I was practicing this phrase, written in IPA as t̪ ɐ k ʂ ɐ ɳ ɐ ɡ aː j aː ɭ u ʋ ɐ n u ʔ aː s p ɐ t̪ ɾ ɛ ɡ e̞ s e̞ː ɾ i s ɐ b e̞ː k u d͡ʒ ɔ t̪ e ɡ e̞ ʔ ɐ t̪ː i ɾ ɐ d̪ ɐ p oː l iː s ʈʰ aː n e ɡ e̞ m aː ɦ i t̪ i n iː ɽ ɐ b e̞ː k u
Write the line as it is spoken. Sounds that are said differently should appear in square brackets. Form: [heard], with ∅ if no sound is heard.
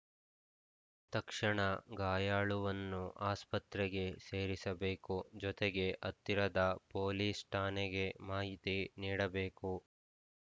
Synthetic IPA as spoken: t̪ ɐ k ʂ ɐ ɳ ɐ ɡ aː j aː ɭ u ʋ ɐ [nː] u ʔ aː s p ɐ t̪ ɾ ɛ ɡ e̞ s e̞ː ɾ i s ɐ b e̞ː k u d͡ʒ ɔ t̪ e ɡ e̞ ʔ ɐ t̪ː i ɾ ɐ d̪ ɐ p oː l iː s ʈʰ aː n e ɡ e̞ m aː ɦ i t̪ i n iː ɽ ɐ b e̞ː k u